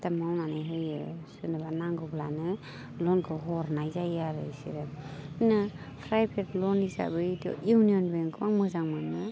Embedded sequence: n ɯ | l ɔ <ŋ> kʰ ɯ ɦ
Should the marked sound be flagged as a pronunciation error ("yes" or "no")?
yes